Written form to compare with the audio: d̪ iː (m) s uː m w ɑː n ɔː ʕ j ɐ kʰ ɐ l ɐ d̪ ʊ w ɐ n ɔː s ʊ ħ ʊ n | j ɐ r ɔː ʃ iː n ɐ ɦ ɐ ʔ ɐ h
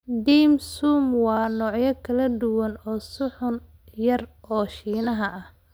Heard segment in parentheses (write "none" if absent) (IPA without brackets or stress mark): m